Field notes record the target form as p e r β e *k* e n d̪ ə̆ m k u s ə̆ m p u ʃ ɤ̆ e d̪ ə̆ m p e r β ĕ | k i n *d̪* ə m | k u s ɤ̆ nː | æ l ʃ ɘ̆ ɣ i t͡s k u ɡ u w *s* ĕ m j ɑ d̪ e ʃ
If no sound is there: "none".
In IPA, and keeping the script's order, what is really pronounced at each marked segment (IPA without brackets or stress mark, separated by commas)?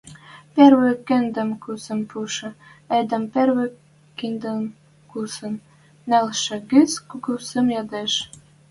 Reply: k, d̪, s